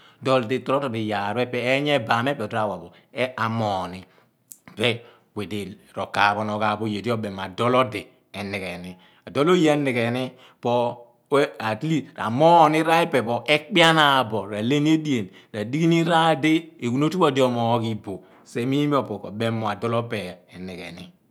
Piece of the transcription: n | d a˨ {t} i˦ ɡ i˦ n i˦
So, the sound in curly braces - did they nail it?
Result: no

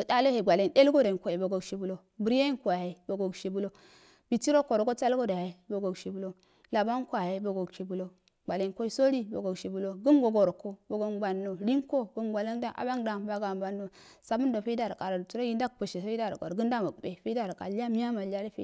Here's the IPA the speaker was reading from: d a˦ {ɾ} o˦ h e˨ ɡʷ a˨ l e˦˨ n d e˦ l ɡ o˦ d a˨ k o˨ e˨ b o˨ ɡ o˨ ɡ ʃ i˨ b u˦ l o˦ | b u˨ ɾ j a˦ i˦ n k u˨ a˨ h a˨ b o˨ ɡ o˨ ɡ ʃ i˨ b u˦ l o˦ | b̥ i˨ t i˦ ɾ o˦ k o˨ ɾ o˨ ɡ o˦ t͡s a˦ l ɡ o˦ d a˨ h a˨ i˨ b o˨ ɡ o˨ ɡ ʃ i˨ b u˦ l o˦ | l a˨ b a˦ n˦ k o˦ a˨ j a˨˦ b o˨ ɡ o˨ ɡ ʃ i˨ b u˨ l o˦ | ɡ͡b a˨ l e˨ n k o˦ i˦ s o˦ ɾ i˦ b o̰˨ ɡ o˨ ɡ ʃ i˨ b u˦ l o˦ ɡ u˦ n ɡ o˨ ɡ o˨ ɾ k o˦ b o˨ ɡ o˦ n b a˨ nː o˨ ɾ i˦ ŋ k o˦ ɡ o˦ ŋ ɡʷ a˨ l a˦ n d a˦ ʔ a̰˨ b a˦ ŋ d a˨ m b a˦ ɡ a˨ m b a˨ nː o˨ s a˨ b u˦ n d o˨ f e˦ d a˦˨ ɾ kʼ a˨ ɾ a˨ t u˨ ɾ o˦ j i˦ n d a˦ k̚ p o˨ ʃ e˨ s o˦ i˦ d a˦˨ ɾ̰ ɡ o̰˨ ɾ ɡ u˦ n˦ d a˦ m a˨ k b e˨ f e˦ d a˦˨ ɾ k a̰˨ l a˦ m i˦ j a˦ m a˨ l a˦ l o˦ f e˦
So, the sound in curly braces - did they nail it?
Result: no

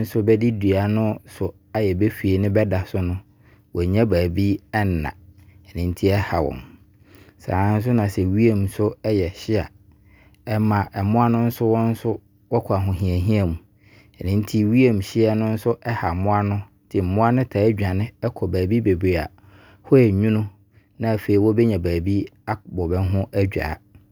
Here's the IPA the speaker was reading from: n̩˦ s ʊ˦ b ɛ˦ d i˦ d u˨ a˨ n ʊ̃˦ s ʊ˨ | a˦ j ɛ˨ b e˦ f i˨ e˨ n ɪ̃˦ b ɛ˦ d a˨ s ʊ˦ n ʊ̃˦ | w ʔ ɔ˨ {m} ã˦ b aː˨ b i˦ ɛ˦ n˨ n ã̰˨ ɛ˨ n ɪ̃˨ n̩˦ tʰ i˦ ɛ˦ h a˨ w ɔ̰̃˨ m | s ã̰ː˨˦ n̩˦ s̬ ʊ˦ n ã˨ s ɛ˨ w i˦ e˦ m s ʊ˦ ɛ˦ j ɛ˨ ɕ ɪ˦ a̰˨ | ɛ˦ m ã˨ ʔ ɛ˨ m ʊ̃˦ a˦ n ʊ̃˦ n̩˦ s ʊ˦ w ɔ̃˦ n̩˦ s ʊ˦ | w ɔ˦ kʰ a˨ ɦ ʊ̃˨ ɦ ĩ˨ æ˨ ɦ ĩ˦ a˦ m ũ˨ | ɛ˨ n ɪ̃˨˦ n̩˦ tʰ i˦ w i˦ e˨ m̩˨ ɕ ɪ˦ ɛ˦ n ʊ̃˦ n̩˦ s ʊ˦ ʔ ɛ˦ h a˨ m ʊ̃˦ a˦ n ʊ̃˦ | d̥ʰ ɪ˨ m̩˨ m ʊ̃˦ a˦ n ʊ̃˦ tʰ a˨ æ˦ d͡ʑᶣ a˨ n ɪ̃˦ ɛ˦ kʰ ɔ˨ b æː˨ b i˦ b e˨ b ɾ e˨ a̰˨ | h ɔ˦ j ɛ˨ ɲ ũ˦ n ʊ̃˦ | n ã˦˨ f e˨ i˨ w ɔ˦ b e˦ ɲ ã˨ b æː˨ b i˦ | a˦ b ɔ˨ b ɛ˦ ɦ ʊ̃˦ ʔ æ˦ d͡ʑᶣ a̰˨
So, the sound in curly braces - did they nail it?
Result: no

